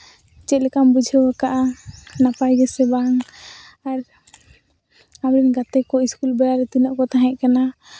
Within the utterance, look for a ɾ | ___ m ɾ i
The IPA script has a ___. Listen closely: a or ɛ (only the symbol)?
a